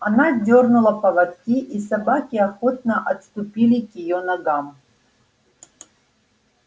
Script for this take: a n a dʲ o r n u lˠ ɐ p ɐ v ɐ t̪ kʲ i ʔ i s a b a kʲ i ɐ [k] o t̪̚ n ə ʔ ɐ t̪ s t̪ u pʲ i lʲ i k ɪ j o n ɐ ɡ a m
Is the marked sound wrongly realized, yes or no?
yes